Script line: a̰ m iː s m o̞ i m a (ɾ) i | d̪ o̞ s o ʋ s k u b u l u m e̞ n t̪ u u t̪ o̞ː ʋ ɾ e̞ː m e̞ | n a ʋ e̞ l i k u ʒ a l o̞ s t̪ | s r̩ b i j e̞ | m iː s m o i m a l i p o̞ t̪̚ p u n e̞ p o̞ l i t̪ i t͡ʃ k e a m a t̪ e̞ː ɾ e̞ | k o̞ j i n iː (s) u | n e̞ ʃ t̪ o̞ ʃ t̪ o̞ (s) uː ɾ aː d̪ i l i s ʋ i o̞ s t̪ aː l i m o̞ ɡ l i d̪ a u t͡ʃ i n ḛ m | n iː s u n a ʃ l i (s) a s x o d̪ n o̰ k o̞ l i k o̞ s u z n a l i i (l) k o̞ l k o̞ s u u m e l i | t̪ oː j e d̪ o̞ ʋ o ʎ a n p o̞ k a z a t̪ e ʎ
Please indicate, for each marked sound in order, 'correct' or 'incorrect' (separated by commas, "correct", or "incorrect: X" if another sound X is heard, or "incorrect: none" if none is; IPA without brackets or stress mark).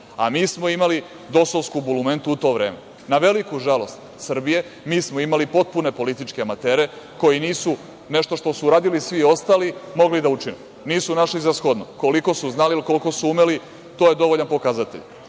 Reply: incorrect: l, correct, correct, incorrect: z, correct